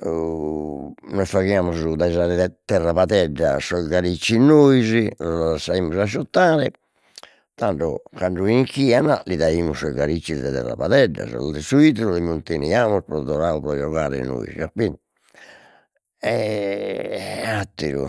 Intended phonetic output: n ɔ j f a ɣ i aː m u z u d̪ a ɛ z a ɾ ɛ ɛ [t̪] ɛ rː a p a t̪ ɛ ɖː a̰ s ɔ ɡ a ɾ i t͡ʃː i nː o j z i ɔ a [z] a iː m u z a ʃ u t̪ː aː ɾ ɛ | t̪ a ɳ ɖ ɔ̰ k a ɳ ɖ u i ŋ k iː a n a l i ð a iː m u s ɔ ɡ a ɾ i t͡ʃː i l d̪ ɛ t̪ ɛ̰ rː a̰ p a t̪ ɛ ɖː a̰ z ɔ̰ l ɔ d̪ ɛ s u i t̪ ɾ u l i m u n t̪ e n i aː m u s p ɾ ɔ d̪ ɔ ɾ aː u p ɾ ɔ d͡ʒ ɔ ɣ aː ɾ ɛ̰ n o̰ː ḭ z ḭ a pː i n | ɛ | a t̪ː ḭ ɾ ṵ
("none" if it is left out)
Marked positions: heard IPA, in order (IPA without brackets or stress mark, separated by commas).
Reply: t̪, s